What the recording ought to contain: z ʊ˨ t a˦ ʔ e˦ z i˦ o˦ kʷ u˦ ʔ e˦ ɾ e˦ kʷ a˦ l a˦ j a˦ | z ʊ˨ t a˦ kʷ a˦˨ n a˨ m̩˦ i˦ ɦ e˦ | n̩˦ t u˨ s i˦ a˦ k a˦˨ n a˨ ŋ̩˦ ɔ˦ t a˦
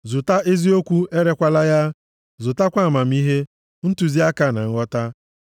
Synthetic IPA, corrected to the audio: z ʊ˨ t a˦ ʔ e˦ z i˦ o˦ kʷ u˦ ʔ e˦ ɾ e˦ kʷ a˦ l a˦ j a˦ | z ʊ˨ t a˦ kʷ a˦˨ m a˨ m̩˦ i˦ ɦ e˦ | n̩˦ t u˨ z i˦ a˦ k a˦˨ n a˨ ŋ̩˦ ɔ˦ t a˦